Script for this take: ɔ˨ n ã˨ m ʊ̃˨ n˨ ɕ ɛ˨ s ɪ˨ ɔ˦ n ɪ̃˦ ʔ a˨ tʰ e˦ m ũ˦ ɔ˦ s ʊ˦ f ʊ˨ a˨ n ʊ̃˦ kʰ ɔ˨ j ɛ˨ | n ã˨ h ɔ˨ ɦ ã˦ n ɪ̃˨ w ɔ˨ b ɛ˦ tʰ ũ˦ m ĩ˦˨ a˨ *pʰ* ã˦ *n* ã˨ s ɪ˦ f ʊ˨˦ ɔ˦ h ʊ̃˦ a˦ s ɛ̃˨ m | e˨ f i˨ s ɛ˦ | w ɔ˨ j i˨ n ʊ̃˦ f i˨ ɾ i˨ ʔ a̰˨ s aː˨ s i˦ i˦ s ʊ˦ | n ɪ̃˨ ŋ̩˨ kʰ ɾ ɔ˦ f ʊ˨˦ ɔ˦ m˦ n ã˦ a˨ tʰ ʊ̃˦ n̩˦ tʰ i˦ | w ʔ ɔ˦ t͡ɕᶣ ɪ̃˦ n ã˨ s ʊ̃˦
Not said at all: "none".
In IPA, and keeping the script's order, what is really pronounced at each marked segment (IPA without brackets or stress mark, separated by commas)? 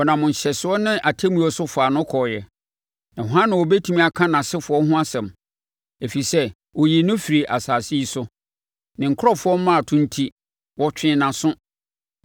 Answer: kʰ, n